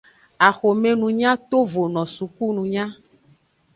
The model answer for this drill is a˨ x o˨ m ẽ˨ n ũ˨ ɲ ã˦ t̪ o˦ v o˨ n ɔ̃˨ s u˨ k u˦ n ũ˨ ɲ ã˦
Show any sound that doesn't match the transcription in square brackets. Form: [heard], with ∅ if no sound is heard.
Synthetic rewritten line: a˨ x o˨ m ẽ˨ n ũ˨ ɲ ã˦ t̪ o˦ v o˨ n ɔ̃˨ s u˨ k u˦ n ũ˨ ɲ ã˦